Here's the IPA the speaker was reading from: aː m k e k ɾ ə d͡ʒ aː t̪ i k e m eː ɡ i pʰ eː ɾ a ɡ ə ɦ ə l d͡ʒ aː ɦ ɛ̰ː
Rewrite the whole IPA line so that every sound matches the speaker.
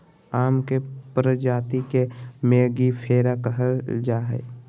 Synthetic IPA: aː m k e p ɾ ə d͡ʒ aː t̪ i k e m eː ɡ i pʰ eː ɾ a k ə ɦ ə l d͡ʒ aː ɦ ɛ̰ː